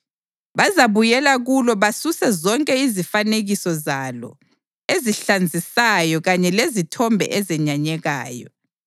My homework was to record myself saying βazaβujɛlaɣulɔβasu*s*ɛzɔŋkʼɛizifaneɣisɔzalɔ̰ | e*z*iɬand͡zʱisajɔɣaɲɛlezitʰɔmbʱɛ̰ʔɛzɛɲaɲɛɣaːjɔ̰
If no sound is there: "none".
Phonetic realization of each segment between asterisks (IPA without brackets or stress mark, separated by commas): s, z